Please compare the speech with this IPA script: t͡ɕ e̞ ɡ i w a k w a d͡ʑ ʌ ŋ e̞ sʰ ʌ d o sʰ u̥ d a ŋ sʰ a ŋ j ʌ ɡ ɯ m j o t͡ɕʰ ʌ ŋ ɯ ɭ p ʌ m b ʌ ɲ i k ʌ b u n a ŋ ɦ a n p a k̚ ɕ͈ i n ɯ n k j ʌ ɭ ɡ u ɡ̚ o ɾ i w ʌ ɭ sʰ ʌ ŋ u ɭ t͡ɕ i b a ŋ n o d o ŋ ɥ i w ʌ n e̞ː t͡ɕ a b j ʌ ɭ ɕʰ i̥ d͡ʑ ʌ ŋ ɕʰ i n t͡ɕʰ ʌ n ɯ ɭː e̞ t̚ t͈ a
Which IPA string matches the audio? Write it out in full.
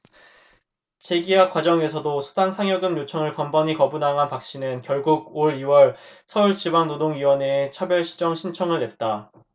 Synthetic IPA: t͡ɕ e̞ ɡ i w a k w a d͡ʑ ʌ ŋ e̞ sʰ ʌ d o sʰ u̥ d a ŋ sʰ a ŋ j ʌ ɡ ɯ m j o t͡ɕʰ ʌ ŋ ɯ ɭ p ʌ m b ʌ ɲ i k ʌ b u n a ŋ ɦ a n p a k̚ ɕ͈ i n ɯ n k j ʌ ɭ ɡ u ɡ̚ o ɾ i w ʌ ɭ sʰ ʌ u ɭ t͡ɕ i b a ŋ n o d o ŋ ɥ i w ʌ n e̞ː t͡ɕʰ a b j ʌ ɭ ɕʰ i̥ d͡ʑ ʌ ŋ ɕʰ i n t͡ɕʰ ʌ ŋ ɯ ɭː e̞ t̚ t͈ a